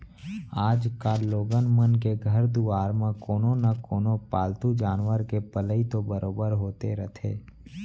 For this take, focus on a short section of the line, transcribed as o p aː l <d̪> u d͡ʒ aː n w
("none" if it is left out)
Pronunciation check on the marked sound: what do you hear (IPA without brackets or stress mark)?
t̪